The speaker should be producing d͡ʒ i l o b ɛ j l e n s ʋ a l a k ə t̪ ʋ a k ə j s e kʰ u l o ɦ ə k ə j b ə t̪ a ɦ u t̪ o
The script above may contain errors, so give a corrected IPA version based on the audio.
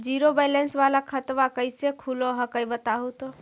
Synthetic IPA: d͡ʒ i ɾ o b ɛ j l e n s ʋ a l a kʰ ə t̪ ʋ a k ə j s e kʰ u l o ɦ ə k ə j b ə t̪ a ɦ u t̪ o

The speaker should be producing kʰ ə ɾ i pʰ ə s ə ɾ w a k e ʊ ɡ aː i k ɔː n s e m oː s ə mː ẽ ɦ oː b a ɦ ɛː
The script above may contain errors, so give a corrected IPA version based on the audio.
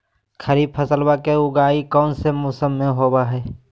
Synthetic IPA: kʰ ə ɾ i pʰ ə s ə l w a k e ʊ ɡ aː i k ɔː n s e m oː s ə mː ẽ ɦ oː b a ɦ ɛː

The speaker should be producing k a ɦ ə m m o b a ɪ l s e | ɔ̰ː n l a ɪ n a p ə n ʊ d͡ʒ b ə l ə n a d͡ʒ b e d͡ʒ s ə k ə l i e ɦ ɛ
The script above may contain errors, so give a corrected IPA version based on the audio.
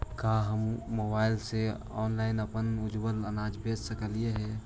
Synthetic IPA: k a ɦ ə m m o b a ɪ l s e | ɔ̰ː n l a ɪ n ə p ə n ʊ d͡ʒ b ə l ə n a d͡ʒ b e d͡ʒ s ə k ə l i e ɦ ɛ

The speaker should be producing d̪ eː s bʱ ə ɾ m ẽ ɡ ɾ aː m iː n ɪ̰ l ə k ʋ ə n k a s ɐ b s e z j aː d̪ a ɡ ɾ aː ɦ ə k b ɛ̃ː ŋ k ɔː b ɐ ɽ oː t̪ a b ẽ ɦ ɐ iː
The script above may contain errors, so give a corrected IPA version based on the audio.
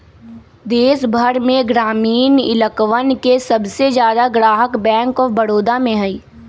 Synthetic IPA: d̪ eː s bʱ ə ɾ m ẽ ɡ ɾ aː m iː n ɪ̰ l ə k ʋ ə n k e s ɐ b s e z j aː d̪ a ɡ ɾ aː ɦ ə k b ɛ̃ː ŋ k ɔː b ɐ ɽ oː d̪ a m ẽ ɦ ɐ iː

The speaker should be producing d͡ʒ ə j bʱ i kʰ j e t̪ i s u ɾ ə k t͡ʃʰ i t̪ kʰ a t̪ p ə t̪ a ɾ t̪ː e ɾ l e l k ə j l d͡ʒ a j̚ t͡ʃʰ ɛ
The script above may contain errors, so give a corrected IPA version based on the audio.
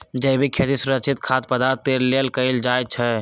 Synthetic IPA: d͡ʒ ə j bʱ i kʰ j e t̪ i s u ɾ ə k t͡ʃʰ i t̪ kʰ a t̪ p ə d̪ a ɾ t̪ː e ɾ l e l k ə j l d͡ʒ a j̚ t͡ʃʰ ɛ

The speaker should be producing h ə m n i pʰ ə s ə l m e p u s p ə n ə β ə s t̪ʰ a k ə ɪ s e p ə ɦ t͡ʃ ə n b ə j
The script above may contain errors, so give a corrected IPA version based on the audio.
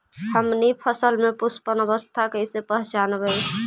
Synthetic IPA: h ə m n i pʰ ə s ə l m e p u s p ə n ə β ə s t̪ʰ a k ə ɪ s e p ə ɦ t͡ʃ a n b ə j

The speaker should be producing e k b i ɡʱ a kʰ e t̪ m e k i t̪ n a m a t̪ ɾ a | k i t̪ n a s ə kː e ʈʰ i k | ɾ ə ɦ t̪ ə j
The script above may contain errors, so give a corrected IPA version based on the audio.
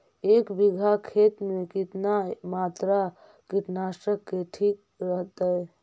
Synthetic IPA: e k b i ɡʱ a kʰ e t̪ m e k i t̪ n a m a t̪ ɾ a | k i t̪ n a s ə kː e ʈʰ i k | ɾ ə ɦ t̪ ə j

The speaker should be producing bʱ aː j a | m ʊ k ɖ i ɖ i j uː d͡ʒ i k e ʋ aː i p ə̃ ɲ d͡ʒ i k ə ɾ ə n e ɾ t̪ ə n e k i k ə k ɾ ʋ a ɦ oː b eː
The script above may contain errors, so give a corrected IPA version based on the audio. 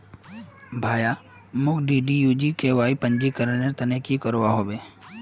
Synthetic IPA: bʱ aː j a | m ʊ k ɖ i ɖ i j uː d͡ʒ i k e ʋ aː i p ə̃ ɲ d͡ʒ i k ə ɾ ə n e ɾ t̪ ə n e k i k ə ɾ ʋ a ɦ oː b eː

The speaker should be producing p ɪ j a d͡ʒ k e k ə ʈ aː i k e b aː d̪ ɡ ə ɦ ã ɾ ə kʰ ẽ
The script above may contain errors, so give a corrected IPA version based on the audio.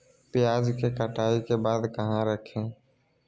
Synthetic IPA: p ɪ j a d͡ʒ k e k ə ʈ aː i k e b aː d̪ k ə ɦ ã ɾ ə kʰ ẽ

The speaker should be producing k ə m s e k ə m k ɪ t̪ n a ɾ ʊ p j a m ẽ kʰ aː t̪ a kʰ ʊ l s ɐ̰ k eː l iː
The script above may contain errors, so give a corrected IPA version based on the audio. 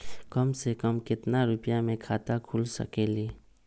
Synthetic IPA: k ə m s e k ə m k ɪ t̪ n a ɾ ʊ p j a m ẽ kʰ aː t̪ a kʰ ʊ l s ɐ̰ k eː l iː

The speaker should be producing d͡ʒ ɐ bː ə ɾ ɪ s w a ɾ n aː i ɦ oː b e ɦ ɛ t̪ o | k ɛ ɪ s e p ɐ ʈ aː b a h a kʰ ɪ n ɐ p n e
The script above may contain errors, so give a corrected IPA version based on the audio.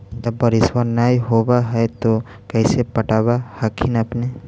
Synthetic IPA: d͡ʒ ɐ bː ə ɾ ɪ s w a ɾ n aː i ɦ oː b a ɦ ɛ t̪ o | k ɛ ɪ s e p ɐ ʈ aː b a h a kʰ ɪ n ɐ p n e

